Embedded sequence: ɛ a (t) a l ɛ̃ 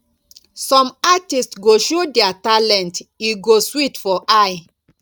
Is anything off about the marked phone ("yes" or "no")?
no